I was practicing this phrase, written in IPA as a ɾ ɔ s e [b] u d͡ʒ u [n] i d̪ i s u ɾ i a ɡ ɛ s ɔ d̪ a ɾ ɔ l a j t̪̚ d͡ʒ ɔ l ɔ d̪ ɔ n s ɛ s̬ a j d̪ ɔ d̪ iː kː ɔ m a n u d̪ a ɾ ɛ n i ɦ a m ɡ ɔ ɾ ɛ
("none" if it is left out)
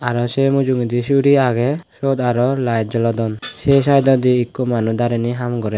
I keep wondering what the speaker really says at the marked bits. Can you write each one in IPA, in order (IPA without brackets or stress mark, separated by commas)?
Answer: m, ŋ